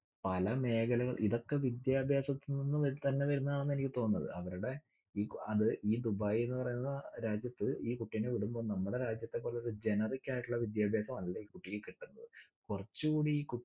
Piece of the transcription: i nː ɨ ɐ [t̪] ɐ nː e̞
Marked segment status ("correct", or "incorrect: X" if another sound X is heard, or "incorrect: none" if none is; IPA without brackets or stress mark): correct